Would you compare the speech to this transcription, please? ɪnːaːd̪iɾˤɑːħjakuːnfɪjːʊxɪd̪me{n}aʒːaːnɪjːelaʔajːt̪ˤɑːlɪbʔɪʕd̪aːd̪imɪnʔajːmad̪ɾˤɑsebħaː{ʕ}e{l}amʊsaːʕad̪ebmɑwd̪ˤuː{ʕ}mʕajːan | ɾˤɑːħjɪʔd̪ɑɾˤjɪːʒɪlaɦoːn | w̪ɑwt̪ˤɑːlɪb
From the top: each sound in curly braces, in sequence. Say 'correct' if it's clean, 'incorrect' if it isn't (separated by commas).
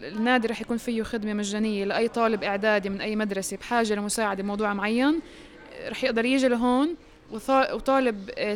incorrect, incorrect, correct, correct